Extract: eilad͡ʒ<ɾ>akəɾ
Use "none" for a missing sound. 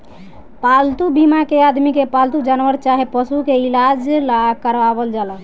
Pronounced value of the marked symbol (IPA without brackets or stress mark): l